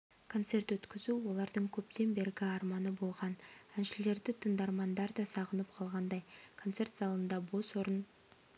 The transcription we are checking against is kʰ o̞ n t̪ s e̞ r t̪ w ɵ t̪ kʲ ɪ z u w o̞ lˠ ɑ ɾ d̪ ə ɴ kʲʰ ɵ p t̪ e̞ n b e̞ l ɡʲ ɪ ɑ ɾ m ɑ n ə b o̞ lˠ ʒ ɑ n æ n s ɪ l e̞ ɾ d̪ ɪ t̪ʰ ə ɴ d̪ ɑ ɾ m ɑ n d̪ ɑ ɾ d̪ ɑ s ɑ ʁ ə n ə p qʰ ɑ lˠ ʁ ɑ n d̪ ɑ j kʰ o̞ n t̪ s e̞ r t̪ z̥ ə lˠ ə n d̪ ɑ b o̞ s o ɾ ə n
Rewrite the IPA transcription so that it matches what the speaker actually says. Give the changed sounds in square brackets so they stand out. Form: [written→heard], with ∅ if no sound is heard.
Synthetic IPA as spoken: kʰ o̞ n t̪ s e̞ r t̪ w ɵ t̪ kʲ ɪ z u w o̞ lˠ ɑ ɾ d̪ ə ɴ kʲʰ ɵ p t̪ e̞ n b e̞ [l→ɾ] ɡʲ ɪ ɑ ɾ m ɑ n ə b o̞ lˠ [ʒ→ʁ] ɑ n æ n [s→ʃ] ɪ l e̞ ɾ d̪ ɪ t̪ʰ ə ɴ d̪ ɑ ɾ m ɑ n d̪ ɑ ɾ d̪ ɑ s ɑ ʁ ə n ə p qʰ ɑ lˠ ʁ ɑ n d̪ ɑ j kʰ o̞ n t̪ s e̞ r t̪ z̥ [ə→ɑ] lˠ ə n d̪ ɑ b o̞ s o ɾ ə n